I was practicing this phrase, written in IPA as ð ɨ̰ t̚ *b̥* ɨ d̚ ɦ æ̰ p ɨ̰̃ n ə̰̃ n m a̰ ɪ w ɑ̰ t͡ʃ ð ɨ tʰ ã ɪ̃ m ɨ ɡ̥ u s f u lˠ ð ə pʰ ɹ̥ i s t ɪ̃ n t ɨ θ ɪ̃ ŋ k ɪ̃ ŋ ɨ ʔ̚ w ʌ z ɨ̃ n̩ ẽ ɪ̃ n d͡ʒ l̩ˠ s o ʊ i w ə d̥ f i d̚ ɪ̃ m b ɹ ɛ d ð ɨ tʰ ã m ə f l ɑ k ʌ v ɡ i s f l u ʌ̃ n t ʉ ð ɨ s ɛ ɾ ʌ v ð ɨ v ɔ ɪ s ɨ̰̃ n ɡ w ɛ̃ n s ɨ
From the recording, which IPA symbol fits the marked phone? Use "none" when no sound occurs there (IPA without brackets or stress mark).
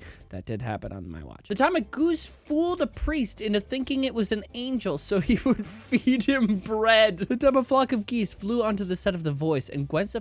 d̥